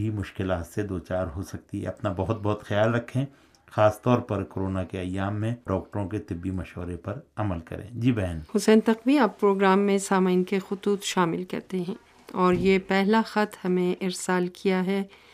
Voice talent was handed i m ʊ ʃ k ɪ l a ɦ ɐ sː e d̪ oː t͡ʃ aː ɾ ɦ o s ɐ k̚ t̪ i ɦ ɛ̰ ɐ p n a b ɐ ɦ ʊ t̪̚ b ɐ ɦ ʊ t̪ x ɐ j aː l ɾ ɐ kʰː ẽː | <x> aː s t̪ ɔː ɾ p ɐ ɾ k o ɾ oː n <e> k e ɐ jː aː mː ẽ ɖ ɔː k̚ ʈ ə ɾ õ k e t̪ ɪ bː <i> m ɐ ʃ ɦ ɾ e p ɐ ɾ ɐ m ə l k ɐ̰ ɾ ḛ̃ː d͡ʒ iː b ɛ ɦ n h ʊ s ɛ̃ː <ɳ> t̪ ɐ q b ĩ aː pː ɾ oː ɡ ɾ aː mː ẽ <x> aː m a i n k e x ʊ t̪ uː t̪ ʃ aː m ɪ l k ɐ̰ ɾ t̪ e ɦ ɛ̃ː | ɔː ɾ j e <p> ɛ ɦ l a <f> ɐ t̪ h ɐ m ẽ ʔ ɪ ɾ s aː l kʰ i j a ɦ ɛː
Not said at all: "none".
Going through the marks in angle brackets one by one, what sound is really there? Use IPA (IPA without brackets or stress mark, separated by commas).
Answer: x, a, i, n, s, p, x